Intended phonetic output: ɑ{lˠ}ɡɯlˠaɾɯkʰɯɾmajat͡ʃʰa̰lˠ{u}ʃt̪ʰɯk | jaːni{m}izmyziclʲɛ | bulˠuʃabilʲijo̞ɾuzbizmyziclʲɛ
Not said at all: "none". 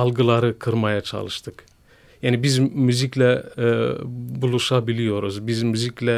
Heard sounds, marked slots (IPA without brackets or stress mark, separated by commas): lˠ, ɯ, b